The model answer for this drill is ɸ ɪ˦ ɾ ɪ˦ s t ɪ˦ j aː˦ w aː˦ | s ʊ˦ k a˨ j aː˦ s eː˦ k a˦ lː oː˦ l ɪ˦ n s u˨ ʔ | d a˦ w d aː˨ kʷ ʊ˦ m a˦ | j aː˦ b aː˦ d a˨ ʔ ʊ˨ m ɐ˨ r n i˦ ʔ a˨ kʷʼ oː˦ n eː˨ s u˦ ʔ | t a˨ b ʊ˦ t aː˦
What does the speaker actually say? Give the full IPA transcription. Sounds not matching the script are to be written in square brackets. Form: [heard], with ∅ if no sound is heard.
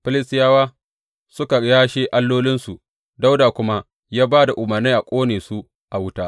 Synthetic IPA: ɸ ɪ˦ [l] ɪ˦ s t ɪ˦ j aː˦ w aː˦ | s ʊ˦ k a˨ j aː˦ [ʃ] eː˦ [ʔ] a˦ lː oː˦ l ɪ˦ n s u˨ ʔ | d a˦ w d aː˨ kʷ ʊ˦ m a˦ | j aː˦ b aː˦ d a˨ ʔ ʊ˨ m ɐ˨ r n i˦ ʔ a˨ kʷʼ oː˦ n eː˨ s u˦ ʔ | [ʔ] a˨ [w] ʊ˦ t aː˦